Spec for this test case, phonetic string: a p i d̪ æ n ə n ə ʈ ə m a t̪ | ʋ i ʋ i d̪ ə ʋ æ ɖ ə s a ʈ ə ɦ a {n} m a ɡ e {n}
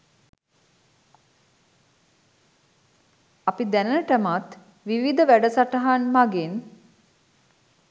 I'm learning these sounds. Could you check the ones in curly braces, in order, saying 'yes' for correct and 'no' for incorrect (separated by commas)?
yes, yes